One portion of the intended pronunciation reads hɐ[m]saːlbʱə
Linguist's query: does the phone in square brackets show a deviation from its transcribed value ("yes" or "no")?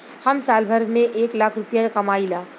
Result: no